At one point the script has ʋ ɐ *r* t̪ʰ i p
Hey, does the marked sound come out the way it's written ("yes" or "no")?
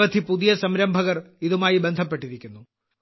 no